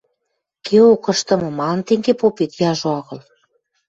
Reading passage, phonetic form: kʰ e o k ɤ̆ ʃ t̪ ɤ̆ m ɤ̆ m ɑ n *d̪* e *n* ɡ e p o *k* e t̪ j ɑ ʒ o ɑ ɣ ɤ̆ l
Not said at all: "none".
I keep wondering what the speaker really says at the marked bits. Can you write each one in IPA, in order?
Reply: t̪, ŋ, p

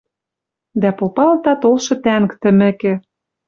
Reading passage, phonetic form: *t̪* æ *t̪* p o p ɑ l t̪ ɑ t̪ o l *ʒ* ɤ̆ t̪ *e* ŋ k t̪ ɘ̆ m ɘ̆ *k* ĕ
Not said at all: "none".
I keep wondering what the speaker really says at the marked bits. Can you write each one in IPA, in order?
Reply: d̪, none, ʃ, æ, k

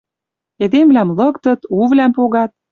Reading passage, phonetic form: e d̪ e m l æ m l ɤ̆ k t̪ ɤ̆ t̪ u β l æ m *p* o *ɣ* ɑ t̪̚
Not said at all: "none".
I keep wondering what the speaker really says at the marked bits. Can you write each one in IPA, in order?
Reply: p, ɣ

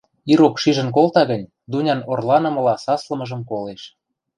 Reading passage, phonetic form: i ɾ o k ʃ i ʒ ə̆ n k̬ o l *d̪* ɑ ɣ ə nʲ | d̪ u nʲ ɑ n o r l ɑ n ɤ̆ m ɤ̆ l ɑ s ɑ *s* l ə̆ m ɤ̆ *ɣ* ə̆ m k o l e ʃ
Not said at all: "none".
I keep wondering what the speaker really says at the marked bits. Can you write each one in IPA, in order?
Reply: t̪, s, ʒ

